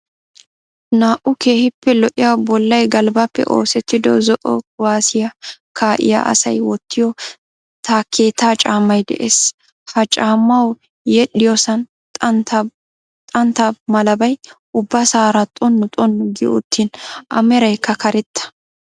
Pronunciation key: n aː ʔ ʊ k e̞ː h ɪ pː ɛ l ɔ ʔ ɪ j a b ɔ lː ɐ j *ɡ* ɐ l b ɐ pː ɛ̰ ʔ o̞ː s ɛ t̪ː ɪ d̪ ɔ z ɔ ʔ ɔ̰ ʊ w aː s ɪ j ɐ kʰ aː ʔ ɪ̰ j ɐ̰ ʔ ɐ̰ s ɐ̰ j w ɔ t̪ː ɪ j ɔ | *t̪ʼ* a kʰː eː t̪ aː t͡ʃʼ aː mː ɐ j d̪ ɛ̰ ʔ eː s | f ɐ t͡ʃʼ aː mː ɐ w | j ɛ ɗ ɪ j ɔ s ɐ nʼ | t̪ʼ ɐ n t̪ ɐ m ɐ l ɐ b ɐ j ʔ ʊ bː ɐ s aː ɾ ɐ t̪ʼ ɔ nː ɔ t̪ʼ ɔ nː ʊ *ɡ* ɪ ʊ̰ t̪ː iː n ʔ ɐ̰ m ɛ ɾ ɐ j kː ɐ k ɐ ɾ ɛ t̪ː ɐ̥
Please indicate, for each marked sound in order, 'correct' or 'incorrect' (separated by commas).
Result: correct, incorrect, correct